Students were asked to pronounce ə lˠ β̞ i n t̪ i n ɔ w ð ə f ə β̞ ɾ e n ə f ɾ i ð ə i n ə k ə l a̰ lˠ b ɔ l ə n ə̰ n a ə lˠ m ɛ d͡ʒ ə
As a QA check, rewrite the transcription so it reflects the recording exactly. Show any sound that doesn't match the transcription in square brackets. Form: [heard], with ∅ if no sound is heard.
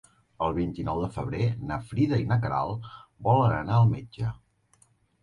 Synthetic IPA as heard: ə lˠ β̞ i n t̪ i n ɔ w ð ə f ə β̞ ɾ e n ə f ɾ i ð ə i n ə k ə [ɾ] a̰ lˠ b ɔ l ə n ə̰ n a ə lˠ m [e] d͡ʒ ə